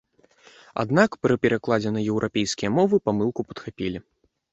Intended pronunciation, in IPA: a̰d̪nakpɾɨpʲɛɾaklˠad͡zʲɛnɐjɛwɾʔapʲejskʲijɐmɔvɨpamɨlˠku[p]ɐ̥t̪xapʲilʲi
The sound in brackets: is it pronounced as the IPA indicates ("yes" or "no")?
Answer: yes